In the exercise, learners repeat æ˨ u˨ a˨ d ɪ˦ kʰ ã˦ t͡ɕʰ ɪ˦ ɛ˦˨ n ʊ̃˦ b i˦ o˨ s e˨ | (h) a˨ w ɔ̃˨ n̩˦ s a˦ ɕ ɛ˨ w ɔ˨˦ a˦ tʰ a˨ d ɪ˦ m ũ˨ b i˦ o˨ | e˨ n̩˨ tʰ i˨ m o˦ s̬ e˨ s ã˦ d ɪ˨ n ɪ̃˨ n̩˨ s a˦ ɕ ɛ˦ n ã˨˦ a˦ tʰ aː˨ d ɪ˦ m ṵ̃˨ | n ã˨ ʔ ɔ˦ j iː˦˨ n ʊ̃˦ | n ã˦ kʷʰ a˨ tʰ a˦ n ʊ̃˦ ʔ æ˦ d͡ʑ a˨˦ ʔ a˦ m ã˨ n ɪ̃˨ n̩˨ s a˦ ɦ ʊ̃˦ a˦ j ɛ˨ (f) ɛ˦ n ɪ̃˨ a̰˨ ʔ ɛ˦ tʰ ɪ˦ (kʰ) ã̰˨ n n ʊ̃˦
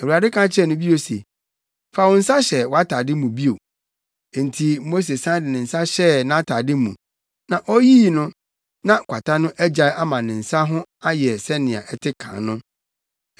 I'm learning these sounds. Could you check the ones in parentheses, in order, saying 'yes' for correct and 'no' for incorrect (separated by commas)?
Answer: no, no, yes